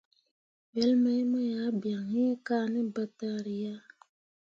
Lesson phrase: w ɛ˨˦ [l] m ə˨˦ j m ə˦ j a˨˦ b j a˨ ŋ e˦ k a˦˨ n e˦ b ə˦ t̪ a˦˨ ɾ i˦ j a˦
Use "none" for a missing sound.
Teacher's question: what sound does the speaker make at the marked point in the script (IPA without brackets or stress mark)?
l